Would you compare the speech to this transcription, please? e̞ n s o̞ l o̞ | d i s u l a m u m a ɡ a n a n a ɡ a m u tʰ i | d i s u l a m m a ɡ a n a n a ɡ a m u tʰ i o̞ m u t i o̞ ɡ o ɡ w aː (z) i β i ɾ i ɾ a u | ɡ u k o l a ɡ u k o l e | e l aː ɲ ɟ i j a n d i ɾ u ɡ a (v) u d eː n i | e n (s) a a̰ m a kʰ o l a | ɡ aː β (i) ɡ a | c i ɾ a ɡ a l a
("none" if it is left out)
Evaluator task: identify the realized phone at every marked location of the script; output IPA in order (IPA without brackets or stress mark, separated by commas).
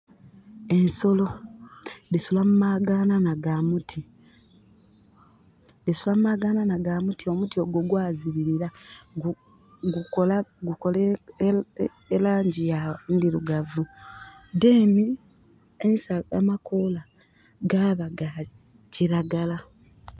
z, v, s, a